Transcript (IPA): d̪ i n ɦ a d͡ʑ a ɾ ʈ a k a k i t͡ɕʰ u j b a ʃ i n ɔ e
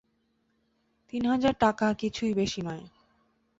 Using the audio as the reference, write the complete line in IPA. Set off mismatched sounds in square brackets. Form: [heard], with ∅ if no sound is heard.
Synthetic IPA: [t̪] i n ɦ a d͡ʑ a ɾ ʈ a k a k i t͡ɕʰ u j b [e] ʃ i n ɔ e